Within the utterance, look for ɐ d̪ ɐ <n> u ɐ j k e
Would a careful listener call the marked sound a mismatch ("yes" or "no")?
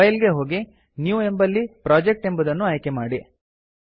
yes